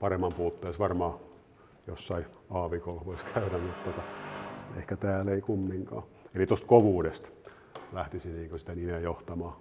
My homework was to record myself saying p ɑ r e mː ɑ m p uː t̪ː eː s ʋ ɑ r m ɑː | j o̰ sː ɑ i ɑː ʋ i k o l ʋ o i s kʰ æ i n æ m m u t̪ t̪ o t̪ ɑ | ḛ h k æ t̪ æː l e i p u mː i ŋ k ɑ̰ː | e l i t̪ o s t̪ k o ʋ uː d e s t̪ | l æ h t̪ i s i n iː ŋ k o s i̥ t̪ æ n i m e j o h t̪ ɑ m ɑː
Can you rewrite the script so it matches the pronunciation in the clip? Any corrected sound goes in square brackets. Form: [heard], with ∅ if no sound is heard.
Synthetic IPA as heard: p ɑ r e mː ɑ m p uː t̪ː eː s ʋ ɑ r m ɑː | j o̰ sː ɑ i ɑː ʋ i k o l ʋ o i s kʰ æ [y] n æ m m u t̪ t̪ o t̪ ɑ | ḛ h k æ t̪ æː l e i [k] u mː i ŋ k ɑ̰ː | e l i t̪ o s t̪ k o ʋ uː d e s t̪ | l æ h t̪ i s i n iː ŋ k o s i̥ t̪ æ n i m e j o h t̪ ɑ m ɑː